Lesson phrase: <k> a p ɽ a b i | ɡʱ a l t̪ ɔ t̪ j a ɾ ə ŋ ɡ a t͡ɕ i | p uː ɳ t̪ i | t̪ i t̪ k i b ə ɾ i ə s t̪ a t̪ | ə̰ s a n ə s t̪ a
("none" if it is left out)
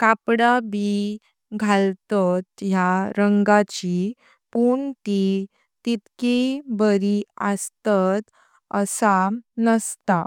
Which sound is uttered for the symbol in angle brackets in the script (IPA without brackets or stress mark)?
k